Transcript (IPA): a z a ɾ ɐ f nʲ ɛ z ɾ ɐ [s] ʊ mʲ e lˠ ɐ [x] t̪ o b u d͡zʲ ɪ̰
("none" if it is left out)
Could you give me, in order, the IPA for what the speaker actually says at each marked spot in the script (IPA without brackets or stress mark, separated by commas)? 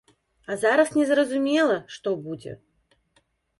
z, ʂ